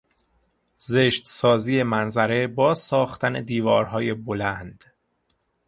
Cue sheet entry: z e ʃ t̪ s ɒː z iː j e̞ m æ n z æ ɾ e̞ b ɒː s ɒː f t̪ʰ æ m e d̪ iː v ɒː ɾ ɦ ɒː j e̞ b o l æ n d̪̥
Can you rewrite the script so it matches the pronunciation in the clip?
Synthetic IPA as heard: z e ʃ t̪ s ɒː z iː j e̞ m æ n z æ ɾ e̞ b ɒː s ɒː x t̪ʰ æ n e d̪ iː v ɒː ɾ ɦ ɒː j e̞ b o l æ n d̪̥